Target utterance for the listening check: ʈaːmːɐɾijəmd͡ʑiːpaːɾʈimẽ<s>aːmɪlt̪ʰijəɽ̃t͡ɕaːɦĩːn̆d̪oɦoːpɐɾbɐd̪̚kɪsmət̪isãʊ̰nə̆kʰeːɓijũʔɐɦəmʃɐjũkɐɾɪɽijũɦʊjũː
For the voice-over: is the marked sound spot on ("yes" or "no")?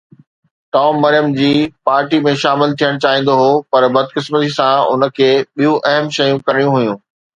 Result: no